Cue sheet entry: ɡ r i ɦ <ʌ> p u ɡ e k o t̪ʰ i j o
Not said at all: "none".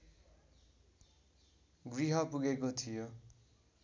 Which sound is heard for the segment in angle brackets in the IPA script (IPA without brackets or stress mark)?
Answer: ʌ